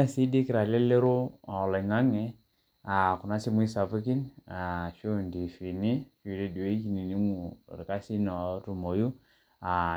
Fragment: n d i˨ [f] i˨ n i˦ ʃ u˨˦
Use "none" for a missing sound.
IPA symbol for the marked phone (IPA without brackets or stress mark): f